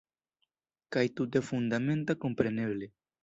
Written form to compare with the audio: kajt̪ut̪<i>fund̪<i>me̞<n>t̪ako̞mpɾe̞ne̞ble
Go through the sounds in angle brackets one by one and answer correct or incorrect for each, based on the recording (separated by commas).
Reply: incorrect, incorrect, correct